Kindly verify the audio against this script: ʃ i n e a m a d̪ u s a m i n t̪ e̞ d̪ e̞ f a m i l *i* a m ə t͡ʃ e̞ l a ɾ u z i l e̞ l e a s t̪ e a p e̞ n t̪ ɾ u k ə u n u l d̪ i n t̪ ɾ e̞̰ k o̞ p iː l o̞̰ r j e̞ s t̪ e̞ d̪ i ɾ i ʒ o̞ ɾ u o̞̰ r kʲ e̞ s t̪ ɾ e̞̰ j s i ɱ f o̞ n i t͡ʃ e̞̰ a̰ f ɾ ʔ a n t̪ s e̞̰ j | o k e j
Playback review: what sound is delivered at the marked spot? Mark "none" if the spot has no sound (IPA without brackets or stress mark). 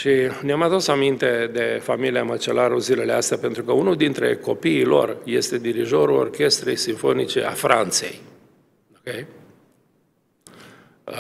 i